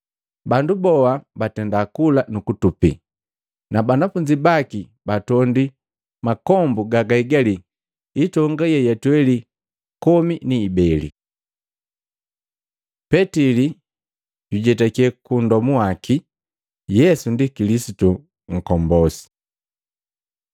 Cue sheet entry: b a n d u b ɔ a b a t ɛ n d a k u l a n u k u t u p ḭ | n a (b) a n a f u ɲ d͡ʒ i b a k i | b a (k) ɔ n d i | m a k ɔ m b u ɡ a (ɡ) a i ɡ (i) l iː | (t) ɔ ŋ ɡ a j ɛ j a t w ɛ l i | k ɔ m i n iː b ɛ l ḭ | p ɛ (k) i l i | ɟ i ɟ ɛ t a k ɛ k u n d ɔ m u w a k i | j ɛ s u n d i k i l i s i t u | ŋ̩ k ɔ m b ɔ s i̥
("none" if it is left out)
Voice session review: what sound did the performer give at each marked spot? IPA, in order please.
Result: b, t, ɡ, a, t, t

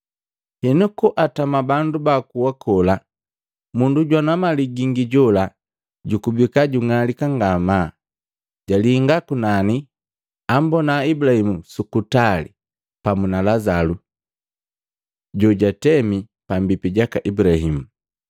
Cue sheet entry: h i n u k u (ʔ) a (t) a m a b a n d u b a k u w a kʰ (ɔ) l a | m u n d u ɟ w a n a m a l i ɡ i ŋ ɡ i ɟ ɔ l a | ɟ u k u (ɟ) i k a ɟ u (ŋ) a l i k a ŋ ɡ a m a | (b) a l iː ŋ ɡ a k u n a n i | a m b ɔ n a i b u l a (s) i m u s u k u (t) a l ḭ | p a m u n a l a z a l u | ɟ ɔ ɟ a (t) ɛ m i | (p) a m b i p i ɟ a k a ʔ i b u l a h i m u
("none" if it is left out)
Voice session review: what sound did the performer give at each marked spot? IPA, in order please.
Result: ʔ, t, ɔ, b, ŋ, ɟ, h, t, t, p

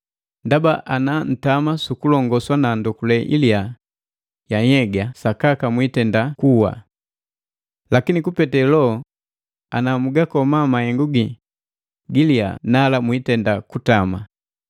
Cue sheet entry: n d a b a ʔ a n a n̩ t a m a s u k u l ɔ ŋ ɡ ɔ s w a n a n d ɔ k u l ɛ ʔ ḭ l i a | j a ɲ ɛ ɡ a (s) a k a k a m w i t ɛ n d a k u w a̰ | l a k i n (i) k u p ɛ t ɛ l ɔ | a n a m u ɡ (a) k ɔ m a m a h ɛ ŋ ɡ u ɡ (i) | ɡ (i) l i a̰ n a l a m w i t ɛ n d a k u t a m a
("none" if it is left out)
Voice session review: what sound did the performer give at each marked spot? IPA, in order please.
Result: s, i, a, i, i

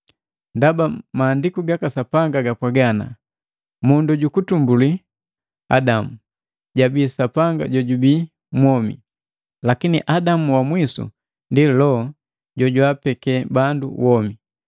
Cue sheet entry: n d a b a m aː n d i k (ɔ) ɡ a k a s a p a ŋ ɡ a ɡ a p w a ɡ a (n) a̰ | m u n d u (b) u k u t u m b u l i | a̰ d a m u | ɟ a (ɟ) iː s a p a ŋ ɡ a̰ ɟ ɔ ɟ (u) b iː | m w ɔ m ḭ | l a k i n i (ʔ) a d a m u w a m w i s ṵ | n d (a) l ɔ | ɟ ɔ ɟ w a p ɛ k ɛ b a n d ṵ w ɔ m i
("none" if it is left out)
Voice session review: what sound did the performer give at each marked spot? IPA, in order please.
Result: u, n, ɟ, b, u, ʔ, i

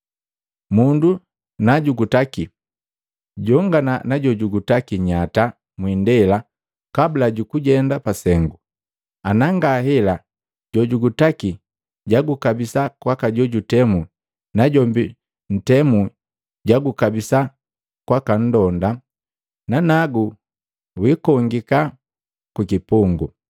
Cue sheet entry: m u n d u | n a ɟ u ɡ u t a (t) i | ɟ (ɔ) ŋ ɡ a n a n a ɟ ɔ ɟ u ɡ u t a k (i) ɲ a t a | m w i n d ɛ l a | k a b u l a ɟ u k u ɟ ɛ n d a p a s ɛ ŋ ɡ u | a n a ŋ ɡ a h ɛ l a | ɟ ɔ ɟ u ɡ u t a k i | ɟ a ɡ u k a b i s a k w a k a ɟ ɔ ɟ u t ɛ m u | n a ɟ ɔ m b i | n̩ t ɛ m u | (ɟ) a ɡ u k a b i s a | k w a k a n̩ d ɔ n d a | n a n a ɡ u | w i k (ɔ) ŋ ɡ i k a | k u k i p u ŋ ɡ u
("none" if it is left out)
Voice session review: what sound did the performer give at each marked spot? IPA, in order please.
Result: k, ɔ, i, ɟ, ɔ

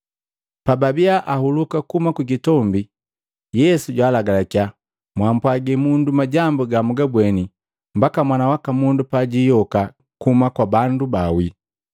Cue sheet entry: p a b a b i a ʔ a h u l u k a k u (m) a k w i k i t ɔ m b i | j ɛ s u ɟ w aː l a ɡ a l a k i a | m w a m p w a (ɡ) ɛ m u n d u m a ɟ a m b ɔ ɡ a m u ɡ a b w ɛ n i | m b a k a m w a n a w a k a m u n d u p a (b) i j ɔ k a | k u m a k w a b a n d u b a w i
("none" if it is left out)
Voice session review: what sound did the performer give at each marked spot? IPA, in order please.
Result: m, ɡ, ɟ

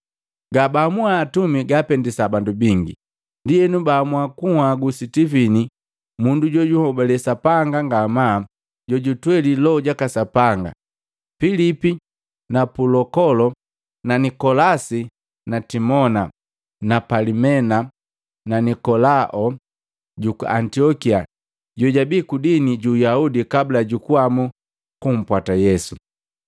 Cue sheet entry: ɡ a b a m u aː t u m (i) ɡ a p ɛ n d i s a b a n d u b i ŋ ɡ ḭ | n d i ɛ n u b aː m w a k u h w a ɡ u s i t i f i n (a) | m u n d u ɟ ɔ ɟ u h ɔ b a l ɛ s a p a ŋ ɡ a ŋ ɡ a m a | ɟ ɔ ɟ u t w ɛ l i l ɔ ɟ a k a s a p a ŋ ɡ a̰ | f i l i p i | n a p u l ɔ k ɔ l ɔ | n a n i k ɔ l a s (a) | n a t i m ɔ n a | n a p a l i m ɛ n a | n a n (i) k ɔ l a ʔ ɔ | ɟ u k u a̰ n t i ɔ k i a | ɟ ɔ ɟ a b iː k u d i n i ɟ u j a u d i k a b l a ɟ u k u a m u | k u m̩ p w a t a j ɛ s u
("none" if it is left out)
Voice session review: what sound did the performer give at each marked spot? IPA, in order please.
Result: i, i, i, i

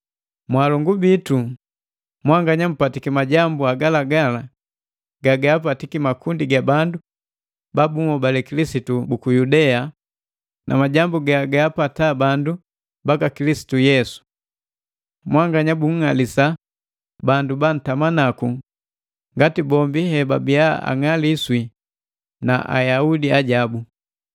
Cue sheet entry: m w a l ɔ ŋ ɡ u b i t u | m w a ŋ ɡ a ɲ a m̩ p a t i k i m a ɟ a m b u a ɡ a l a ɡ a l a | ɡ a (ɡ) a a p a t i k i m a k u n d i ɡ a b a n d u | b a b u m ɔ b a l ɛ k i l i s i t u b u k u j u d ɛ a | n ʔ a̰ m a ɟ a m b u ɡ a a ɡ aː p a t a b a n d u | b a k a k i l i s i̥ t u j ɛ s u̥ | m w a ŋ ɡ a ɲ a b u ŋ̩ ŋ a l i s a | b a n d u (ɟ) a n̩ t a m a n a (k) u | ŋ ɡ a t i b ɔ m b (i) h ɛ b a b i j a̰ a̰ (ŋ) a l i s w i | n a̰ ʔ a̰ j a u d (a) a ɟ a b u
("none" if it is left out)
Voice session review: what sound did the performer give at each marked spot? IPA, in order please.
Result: ɡ, b, k, i, ŋ, i

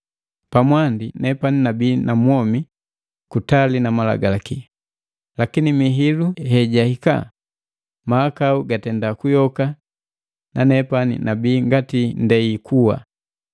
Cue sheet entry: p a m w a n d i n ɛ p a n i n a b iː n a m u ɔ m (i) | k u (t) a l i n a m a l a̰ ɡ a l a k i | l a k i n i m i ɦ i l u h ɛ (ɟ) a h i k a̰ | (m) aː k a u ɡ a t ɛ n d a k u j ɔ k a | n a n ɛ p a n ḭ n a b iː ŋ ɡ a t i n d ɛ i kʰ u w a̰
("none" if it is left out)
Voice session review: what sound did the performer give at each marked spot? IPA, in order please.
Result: i, t, ɟ, m

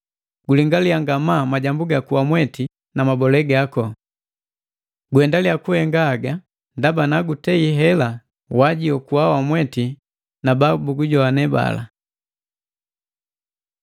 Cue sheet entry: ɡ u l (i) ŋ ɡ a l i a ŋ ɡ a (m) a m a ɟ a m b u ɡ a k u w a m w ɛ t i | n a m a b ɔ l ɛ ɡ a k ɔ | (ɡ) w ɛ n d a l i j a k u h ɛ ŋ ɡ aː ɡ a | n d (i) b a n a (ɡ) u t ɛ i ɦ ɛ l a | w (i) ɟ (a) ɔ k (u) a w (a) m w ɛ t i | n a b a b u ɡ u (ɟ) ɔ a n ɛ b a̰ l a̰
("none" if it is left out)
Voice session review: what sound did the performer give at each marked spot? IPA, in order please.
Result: i, m, ɡ, a, ɡ, a, i, u, a, ɟ

